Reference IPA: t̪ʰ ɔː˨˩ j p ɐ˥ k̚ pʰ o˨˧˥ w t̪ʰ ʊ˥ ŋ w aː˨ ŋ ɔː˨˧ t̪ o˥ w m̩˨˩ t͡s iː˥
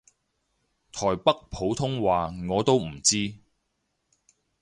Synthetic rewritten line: t̪ʰ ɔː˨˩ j p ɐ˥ k̚ pʰ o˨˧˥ w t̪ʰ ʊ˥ ŋ w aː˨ ŋ ɔː˨˧ t̪ o˥ w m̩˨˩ t͡s iː˥